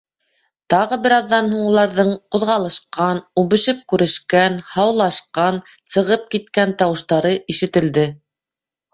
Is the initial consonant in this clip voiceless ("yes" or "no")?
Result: yes